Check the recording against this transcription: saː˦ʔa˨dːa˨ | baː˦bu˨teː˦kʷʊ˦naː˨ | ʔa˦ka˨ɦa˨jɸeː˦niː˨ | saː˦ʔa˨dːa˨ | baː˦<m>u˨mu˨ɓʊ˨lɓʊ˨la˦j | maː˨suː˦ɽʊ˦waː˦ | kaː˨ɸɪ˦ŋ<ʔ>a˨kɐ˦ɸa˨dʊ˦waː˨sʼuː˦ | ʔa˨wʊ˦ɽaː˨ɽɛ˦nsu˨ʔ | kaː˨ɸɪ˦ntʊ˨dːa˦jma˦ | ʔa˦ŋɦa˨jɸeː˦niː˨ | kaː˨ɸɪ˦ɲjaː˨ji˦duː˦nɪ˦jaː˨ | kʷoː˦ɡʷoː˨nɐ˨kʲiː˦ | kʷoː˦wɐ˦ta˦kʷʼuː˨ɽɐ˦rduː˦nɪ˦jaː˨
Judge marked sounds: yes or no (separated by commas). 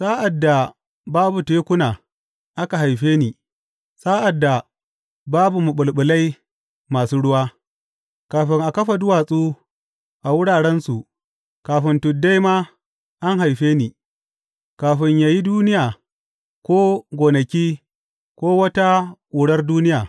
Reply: no, yes